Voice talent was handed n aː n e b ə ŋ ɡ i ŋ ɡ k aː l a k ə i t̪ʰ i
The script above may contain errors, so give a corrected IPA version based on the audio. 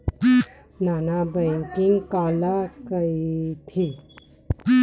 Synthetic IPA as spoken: n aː n a b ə ŋ k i ŋ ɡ k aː l a k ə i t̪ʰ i